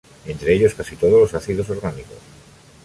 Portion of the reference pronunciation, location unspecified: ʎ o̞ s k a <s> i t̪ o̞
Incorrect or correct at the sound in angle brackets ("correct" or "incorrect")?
correct